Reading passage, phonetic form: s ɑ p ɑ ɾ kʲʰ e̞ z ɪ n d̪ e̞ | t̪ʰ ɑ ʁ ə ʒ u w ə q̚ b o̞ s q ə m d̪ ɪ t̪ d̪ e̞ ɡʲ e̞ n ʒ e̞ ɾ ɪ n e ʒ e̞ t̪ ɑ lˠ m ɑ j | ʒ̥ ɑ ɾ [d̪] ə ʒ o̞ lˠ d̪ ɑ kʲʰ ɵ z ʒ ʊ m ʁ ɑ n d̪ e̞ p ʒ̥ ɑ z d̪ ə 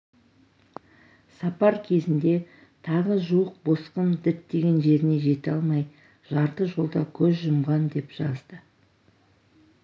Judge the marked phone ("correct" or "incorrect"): incorrect